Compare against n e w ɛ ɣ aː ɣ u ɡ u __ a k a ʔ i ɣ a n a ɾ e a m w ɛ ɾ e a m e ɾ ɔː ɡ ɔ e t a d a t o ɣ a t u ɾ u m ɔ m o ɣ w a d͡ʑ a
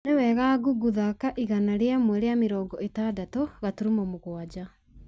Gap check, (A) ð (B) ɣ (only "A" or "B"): A